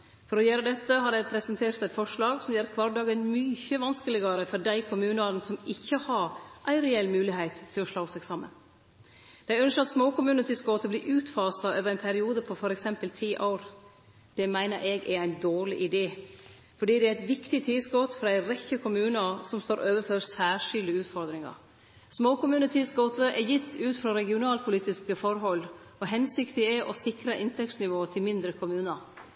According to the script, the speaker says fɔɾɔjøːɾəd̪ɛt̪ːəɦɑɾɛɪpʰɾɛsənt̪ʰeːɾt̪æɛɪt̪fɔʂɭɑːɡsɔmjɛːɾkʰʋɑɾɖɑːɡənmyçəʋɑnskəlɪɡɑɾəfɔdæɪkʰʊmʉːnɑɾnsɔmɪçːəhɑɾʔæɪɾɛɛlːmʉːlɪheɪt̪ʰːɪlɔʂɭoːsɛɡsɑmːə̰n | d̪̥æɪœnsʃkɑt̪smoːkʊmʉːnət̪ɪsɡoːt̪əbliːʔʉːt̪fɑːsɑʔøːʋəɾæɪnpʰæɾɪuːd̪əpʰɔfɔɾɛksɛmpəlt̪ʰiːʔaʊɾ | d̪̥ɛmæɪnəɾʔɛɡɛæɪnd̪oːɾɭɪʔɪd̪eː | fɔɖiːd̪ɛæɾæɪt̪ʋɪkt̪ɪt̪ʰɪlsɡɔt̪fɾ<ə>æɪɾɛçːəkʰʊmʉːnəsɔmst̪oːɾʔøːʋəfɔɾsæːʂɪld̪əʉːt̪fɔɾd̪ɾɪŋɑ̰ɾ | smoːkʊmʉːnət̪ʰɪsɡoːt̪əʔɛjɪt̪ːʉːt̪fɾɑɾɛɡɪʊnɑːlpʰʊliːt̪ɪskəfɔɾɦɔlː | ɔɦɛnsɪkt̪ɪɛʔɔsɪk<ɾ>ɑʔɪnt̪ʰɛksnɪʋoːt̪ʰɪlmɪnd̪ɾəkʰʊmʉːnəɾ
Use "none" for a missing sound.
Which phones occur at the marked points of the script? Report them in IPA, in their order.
ɑ, ɾ

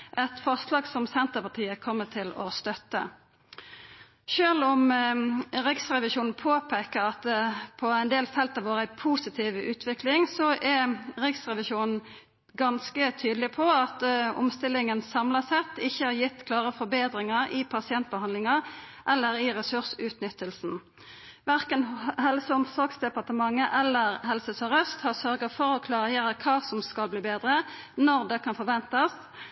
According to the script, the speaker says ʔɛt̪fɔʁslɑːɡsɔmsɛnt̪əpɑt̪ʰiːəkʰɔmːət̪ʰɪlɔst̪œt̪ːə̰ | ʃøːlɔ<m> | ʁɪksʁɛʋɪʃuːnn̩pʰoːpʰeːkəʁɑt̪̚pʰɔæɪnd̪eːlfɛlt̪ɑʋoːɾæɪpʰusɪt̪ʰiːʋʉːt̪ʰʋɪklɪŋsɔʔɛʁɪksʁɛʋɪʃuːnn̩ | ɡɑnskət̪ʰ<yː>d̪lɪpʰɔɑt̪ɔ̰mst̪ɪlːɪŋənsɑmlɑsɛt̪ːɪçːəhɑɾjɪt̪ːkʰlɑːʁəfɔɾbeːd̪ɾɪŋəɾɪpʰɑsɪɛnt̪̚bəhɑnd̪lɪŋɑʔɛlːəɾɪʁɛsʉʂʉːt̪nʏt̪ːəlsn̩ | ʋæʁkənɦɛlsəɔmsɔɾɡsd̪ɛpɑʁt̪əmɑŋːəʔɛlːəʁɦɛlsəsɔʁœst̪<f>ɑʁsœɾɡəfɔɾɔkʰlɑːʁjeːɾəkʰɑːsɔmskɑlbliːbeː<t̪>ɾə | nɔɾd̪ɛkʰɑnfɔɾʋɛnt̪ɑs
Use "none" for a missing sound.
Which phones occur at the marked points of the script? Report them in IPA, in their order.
m, yː, h, d̪

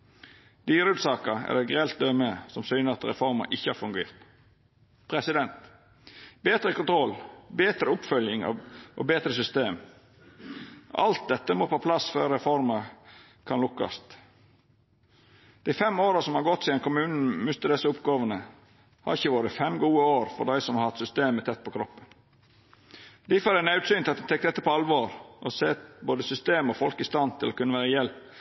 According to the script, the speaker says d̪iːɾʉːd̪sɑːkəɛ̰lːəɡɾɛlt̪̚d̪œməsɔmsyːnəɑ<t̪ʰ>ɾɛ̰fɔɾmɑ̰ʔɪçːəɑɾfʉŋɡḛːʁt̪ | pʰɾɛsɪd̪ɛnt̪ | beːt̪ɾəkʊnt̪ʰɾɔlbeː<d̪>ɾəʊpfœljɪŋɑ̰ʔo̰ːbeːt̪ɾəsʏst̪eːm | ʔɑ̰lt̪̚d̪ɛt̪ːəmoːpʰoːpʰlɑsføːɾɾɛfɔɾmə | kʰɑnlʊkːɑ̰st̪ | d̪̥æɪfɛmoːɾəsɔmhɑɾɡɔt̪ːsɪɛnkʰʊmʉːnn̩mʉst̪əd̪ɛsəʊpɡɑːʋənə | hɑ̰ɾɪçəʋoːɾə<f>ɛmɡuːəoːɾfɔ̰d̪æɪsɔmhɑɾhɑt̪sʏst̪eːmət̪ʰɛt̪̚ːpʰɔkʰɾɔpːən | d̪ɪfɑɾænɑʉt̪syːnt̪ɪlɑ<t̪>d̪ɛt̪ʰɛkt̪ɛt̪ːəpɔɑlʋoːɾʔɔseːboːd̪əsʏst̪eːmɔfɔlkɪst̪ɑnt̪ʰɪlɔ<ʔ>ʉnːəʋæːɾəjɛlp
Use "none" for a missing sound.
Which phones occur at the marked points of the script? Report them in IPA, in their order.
t̪, t̪, f, t̪, k

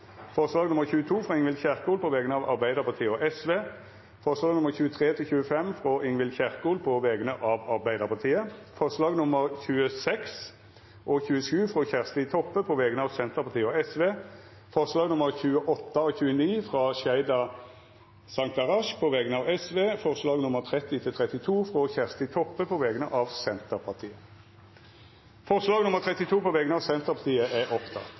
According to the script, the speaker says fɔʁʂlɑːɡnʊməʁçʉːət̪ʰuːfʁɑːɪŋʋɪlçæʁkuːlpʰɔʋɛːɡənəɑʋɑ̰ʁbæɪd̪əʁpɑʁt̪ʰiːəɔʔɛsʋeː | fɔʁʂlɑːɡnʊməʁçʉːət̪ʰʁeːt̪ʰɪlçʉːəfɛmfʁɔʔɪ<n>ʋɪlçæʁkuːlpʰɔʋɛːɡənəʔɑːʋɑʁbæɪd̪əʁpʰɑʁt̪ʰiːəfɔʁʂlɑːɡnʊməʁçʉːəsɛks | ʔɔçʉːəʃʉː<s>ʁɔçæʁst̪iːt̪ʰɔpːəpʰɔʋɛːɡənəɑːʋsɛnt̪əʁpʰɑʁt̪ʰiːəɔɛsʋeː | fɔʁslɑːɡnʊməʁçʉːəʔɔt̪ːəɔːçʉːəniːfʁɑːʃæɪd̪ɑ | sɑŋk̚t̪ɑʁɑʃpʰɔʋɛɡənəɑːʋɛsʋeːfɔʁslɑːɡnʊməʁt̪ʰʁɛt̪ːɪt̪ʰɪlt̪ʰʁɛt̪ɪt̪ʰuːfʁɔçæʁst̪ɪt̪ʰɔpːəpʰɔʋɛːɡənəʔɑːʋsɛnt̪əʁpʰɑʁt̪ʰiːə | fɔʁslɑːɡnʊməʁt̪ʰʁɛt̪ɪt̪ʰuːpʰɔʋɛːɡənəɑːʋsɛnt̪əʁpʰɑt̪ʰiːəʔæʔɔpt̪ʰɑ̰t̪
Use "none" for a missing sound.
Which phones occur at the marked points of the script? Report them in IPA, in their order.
ŋ, f

